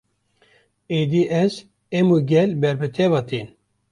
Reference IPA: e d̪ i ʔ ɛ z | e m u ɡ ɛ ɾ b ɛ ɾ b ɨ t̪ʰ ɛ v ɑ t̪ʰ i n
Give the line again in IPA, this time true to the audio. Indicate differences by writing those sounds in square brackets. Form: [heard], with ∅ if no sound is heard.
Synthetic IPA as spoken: e d̪ i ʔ ɛ z | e m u ɡ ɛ [l] b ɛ ɾ b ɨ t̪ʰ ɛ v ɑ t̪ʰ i n